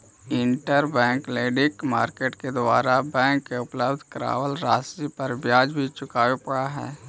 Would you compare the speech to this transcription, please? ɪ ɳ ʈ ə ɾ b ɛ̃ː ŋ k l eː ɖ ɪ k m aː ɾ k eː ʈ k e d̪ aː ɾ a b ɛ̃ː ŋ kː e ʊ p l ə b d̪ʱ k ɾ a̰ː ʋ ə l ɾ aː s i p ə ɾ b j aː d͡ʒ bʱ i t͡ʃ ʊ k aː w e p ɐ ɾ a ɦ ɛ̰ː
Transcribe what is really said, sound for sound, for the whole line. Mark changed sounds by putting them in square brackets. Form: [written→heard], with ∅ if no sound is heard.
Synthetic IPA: ɪ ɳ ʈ ə ɾ b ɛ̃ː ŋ k l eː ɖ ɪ k m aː ɾ k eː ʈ k e d̪ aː ɾ a b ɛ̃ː ŋ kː e ʊ p l ə b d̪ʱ k ɾ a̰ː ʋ ə l ɾ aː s i p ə ɾ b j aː d͡ʒ bʱ i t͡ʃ ʊ k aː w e p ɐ [ɾ→ɽ] a ɦ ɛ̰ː